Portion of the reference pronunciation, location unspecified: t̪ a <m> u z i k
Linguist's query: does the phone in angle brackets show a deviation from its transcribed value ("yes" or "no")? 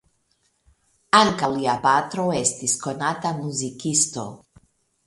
no